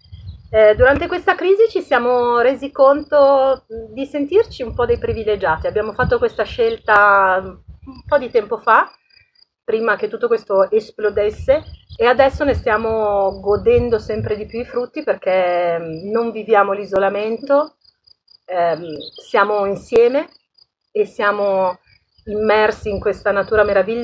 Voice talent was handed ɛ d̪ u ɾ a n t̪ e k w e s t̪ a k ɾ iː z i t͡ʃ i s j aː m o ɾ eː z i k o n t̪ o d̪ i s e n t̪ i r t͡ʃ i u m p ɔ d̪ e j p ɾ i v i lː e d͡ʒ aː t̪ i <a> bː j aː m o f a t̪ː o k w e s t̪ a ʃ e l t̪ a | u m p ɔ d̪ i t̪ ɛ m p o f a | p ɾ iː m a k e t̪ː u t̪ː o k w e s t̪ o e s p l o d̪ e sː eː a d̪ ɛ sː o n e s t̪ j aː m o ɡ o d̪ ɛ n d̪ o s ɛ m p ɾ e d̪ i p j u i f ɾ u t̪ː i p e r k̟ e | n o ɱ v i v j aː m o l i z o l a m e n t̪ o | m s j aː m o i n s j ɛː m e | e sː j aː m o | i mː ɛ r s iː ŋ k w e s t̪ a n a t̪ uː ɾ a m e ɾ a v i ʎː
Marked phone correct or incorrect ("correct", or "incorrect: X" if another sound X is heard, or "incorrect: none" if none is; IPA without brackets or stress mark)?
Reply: correct